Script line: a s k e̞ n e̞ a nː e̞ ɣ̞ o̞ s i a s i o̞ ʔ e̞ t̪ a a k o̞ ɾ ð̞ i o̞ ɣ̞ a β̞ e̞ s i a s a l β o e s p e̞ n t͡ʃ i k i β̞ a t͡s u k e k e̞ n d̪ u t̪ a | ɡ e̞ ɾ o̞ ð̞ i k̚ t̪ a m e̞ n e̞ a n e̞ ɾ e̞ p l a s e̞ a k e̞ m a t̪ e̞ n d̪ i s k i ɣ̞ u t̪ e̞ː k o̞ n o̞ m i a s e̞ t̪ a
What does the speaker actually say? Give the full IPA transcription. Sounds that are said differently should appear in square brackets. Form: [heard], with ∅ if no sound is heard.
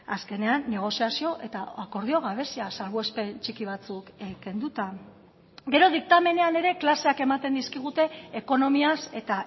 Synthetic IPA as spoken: a s k e̞ n e̞ a nː e̞ ɣ̞ o̞ s i a s i o̞ ʔ e̞ t̪ a a k o̞ ɾ ð̞ i o̞ ɣ̞ a β̞ e̞ s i a s a l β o e s p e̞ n t͡ʃ i k i β̞ a t͡s u k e k e̞ n d̪ u t̪ a | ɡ e̞ ɾ o̞ ð̞ i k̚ t̪ a m e̞ n e̞ a n e̞ ɾ e̞ [k] l a s e̞ a k e̞ m a t̪ e̞ n d̪ i s k i ɣ̞ u t̪ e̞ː k o̞ n o̞ m i a s e̞ t̪ a